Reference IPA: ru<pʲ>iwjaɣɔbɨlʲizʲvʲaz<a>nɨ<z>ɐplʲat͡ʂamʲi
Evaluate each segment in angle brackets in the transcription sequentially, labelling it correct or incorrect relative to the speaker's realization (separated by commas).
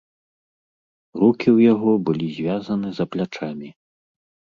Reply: incorrect, incorrect, correct